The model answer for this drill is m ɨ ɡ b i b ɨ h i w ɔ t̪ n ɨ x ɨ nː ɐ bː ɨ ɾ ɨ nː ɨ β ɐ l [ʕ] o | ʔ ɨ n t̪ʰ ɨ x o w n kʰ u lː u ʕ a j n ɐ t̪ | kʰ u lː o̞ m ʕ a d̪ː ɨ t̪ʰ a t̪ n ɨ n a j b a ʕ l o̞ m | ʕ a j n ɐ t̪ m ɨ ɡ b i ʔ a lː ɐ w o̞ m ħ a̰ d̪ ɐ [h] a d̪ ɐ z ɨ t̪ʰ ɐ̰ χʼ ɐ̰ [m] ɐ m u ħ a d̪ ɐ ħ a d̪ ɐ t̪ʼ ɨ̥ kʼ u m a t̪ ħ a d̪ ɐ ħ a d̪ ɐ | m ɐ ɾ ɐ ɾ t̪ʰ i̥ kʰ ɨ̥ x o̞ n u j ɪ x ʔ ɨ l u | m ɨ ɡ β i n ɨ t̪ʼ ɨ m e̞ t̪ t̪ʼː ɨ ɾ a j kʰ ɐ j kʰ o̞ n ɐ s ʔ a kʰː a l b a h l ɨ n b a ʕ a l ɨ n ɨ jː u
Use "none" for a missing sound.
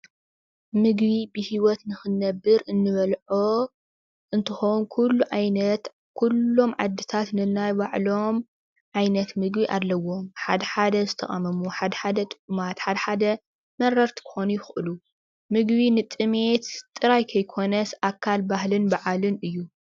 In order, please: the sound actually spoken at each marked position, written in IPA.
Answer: ʕ, ħ, m

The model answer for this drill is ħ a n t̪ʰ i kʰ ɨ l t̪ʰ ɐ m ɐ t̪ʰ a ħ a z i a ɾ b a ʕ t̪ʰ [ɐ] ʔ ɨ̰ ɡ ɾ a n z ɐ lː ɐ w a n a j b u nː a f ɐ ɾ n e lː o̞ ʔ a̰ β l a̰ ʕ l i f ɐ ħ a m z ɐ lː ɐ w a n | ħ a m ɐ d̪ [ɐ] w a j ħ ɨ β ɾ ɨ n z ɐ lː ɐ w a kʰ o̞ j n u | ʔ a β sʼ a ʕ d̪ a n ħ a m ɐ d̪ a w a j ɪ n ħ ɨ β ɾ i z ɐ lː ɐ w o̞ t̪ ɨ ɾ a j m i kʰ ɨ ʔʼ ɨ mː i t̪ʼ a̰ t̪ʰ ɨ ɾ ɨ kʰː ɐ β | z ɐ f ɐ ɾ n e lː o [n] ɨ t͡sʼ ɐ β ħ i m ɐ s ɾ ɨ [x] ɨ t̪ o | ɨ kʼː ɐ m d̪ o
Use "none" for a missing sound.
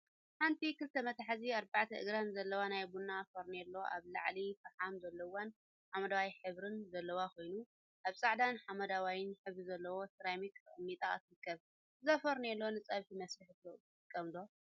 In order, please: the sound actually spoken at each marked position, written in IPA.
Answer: ɐ, a, n, ħ

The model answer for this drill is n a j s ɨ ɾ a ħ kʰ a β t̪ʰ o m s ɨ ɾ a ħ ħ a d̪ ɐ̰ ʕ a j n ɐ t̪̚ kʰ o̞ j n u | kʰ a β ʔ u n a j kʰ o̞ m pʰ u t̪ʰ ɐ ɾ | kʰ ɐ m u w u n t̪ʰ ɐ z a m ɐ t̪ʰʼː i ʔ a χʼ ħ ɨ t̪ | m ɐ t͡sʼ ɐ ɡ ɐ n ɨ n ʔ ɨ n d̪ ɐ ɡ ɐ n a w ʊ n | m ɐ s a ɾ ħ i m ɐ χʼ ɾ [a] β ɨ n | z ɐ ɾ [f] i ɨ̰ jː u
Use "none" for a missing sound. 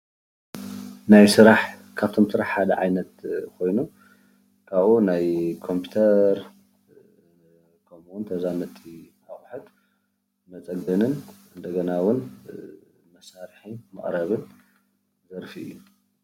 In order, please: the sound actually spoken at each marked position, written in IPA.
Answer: ɐ, f

